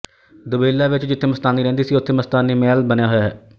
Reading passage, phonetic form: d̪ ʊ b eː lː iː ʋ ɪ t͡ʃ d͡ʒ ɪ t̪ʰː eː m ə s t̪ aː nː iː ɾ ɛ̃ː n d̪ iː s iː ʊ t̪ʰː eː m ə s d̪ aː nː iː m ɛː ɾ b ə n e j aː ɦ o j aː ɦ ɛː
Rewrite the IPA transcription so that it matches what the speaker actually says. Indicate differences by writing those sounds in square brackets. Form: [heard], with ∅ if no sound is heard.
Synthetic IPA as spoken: d̪ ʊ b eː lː [aː] ʋ ɪ t͡ʃ d͡ʒ ɪ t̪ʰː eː m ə s t̪ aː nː iː ɾ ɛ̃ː n d̪ iː s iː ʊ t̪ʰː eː m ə s [t̪] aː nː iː m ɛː [l] b ə n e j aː ɦ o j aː ɦ ɛː